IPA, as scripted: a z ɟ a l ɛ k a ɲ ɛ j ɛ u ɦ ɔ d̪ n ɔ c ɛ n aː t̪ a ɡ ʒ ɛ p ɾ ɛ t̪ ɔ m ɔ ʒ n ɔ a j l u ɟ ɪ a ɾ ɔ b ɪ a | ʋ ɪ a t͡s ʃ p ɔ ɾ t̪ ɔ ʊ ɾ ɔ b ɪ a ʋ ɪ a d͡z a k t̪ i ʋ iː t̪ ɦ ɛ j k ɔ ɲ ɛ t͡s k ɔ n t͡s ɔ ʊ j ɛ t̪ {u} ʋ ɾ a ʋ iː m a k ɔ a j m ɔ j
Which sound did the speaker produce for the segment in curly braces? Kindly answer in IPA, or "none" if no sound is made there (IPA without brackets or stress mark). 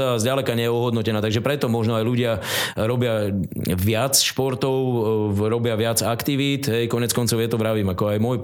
ɔ